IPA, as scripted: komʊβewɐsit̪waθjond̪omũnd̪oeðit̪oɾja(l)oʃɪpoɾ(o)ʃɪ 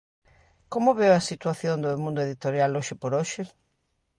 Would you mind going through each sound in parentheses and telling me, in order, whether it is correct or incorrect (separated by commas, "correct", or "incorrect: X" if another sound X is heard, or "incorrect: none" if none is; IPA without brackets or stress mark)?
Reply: correct, correct